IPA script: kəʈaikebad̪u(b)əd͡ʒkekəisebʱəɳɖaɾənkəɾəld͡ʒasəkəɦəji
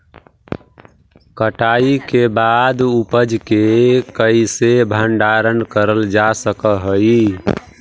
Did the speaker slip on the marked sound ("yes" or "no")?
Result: yes